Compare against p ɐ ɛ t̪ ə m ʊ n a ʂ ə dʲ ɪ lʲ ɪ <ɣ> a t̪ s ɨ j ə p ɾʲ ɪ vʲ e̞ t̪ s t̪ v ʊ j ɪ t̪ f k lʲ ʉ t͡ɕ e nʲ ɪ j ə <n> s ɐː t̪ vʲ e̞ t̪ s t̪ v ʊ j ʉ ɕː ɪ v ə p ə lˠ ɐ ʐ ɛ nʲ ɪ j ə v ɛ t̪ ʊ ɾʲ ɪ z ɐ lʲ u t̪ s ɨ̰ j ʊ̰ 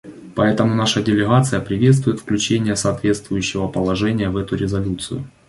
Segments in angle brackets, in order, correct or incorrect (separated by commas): correct, incorrect